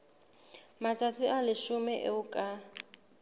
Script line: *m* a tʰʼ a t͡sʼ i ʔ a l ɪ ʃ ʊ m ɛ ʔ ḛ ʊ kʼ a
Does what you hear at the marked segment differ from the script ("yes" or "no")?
no